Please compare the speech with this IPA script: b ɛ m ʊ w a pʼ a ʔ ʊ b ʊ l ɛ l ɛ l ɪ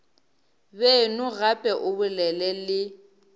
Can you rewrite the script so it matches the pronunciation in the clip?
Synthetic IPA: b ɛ n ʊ ɣ a pʼ ɛ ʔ ʊ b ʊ l ɛ l ɛ l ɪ